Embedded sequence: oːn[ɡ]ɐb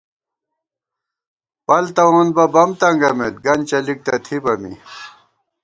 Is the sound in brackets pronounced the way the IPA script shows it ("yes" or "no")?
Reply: no